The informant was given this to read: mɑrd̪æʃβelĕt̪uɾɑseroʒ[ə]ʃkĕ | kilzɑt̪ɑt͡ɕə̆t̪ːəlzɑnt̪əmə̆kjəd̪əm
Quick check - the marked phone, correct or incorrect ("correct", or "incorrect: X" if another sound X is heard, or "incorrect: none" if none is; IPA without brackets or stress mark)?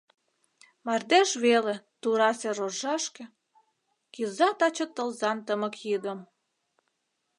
incorrect: ɑ